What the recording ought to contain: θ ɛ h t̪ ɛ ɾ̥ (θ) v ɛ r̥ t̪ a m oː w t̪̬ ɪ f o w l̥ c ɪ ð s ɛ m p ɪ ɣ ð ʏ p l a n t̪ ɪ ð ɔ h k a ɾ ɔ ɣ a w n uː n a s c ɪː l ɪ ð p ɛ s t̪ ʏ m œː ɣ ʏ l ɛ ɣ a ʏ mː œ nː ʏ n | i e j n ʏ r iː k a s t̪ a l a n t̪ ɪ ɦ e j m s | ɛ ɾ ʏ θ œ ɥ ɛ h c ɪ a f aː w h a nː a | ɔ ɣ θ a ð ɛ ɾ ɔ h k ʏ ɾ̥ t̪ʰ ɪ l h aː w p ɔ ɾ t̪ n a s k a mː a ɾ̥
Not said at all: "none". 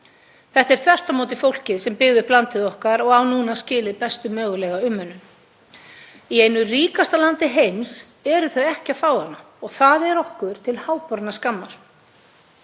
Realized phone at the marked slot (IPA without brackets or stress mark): θ